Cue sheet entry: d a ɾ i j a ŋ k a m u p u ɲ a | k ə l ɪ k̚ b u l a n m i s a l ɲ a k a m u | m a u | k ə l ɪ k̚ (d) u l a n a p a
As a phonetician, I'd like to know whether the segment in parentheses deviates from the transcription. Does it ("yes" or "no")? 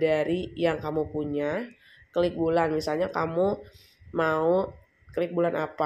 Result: yes